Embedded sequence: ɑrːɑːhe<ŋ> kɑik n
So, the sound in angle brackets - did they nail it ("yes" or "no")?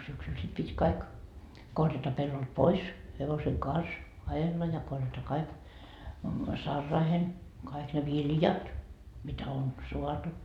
no